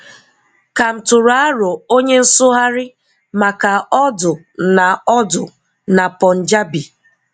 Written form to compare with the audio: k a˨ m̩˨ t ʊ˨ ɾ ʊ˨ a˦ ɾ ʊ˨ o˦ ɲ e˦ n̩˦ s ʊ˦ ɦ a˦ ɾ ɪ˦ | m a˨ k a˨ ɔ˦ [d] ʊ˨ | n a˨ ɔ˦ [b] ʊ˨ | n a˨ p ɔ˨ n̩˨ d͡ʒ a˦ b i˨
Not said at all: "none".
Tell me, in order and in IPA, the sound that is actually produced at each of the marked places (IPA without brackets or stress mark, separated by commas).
d, d